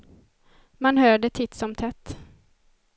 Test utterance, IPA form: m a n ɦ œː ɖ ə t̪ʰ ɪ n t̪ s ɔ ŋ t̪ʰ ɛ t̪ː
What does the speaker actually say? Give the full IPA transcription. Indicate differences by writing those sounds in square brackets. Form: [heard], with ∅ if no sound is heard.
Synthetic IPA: m a n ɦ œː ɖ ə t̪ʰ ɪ [∅] t̪ s ɔ [m] t̪ʰ ɛ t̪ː